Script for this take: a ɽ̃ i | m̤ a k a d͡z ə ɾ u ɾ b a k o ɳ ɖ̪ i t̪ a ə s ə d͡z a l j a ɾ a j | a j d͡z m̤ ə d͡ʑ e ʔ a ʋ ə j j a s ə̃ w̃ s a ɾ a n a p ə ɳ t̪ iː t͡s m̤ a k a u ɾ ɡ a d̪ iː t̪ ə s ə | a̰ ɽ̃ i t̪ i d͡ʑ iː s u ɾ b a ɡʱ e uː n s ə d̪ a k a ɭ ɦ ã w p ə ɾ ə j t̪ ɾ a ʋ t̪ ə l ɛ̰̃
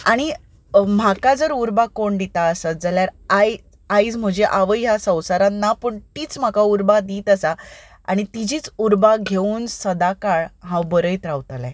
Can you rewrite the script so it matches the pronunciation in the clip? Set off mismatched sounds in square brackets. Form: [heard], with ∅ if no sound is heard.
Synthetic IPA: a ɽ̃ i | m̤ a k a d͡z ə ɾ u ɾ b a k o ɳ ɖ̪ i t̪ a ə s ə d͡z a l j a ɾ a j | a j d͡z m̤ ə d͡ʑ e ʔ a ʋ ə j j a s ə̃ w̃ s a ɾ a n a p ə ɳ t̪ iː t͡s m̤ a k a u ɾ [b] a d̪ iː t̪ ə s [a] | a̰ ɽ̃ i t̪ i d͡ʑ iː [t͡s] u ɾ b a ɡʱ e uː n s ə d̪ a k a ɭ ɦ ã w [b] ə ɾ ə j t̪ ɾ a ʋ t̪ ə l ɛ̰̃